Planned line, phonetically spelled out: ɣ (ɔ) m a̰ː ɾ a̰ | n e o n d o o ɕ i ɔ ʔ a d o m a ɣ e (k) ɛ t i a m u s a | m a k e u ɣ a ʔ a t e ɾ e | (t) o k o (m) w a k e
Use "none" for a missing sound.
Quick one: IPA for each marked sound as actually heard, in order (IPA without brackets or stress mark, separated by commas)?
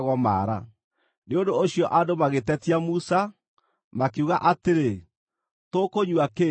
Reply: ɔ, t, t, ɲ